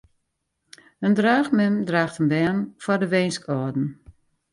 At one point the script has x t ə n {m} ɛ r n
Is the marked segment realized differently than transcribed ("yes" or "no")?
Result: yes